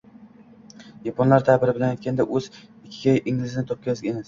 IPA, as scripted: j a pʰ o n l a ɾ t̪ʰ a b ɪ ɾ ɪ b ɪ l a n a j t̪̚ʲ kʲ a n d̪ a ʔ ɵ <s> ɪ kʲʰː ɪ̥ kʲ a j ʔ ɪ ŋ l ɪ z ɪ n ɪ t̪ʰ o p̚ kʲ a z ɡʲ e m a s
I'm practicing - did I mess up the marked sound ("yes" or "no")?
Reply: yes